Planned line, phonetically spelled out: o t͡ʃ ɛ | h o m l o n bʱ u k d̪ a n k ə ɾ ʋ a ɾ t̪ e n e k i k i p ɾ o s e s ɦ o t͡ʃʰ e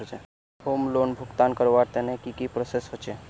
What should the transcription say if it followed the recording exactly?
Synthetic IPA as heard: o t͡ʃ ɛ | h o m l o n bʱ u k t̪ a n k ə ɾ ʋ a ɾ t̪ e n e k i k i p ɾ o s e s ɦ o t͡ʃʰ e